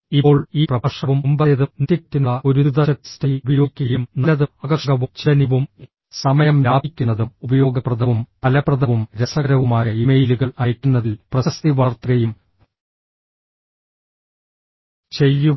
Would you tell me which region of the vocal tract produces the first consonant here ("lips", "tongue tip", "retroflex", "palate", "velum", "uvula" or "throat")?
retroflex